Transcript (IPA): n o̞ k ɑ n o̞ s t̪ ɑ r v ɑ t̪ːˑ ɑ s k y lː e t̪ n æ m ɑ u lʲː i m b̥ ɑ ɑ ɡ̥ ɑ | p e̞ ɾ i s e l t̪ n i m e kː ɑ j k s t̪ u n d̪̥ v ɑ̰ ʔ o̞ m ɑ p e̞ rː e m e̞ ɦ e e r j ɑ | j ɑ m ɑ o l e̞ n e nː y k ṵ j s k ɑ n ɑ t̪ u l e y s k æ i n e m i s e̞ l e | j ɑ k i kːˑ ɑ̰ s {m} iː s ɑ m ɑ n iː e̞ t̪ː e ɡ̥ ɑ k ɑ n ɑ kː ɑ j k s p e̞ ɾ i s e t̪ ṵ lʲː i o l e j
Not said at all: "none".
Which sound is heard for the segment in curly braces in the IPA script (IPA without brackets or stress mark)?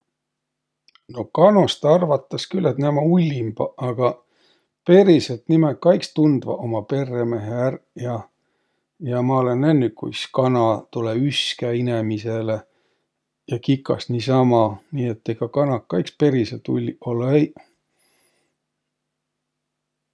n